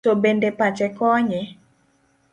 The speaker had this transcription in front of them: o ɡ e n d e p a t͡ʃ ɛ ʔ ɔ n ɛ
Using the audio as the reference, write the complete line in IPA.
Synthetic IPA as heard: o b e n d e p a t͡ʃ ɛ k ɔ ɲ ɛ